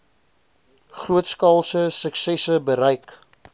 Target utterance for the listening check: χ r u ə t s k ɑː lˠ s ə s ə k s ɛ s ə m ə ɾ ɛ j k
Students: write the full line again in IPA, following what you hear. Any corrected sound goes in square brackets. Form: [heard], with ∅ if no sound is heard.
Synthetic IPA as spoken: χ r u ə t s k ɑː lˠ s ə s ə k s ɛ s ə [b] ə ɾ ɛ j k